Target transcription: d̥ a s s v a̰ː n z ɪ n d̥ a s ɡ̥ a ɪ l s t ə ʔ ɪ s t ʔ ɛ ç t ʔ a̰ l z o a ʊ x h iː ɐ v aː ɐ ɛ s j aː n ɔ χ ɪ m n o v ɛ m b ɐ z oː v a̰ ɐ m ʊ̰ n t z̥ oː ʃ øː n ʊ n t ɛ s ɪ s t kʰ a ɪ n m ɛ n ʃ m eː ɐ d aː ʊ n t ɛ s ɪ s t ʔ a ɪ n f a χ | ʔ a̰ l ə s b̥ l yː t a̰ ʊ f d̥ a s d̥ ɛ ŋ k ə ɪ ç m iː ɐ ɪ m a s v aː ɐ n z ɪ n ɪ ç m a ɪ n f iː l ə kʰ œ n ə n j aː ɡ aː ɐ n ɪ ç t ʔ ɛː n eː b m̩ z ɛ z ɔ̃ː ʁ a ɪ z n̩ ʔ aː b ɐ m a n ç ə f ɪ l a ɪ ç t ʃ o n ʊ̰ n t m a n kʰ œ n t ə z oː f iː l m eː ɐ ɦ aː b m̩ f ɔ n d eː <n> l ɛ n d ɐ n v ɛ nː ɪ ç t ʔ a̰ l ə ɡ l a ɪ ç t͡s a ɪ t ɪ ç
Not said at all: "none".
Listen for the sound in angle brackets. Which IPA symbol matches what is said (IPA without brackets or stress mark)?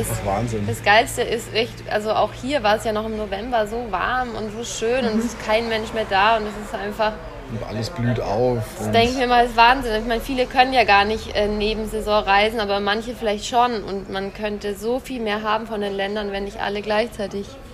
n